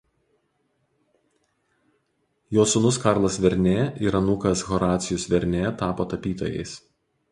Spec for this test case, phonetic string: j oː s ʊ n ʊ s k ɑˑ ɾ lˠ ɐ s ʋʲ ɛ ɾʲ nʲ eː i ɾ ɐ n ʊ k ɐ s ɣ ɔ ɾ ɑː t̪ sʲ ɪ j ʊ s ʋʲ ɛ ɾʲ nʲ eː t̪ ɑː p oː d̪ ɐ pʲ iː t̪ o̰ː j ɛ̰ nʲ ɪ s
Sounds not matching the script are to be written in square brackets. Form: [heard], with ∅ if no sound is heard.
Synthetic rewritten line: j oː s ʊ n ʊ s k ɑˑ ɾ lˠ ɐ s ʋʲ ɛ ɾʲ nʲ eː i ɾ ɐ n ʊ k ɐ s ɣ ɔ ɾ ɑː t̪ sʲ ɪ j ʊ s ʋʲ ɛ ɾʲ nʲ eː t̪ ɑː p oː [t̪] ɐ pʲ iː t̪ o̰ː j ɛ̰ [∅] ɪ s